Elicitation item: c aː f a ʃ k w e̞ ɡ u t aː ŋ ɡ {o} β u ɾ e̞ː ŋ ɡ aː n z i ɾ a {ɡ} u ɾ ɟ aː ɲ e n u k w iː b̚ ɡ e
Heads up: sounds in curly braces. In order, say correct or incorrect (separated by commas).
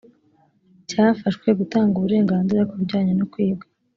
incorrect, incorrect